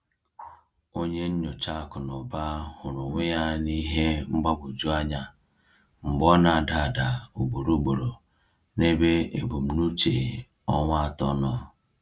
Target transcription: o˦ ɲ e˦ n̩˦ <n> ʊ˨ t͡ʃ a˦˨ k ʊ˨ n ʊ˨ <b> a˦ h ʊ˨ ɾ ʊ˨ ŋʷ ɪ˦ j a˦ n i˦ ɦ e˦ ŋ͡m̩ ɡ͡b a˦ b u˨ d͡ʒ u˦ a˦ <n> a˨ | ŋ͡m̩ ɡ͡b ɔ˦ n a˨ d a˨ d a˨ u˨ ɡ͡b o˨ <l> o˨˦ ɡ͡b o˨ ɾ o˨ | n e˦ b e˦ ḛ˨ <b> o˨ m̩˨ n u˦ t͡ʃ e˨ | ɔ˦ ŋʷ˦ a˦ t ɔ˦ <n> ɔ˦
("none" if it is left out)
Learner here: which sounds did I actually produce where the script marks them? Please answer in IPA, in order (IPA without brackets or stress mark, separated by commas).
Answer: ɲ, b, ɲ, ɾ, b, n